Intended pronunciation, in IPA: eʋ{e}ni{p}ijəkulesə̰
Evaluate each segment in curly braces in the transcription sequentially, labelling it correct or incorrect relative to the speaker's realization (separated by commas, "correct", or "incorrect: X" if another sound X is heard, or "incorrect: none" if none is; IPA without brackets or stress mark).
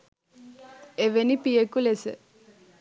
correct, correct